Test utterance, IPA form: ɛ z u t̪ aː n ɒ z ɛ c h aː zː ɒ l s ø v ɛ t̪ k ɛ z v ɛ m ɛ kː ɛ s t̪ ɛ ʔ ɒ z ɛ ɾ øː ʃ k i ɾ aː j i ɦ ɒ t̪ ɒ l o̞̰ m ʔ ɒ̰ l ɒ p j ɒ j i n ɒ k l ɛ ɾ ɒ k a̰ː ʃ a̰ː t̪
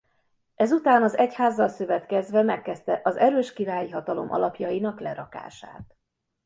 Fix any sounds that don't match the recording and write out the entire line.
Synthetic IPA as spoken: ɛ z u t̪ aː n ɒ z ɛ c h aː zː ɒ l s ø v ɛ t̪ k ɛ z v ɛ m ɛ kː ɛ s t̪ ɛ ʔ ɒ z ɛ ɾ øː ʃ k i ɾ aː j i ɦ ɒ t̪ ɒ l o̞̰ m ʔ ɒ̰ l ɒ p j ɒ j i n ɒ k l ɛ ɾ ɒ k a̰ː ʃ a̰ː t̪